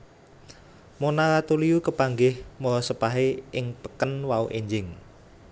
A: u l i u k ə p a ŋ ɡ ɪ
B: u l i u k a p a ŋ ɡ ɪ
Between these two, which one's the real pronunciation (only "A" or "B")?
A